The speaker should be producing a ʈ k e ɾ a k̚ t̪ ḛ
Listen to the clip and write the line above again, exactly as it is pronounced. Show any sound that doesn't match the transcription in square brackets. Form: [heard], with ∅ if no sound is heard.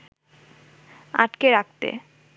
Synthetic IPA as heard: a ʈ k e ɾ a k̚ t̪ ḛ

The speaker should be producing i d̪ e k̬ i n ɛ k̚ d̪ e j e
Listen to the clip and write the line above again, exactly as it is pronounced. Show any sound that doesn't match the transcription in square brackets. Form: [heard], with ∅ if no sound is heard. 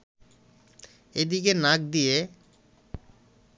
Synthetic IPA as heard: [e] d̪ [i] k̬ [e] n [a] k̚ d̪ [i] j e

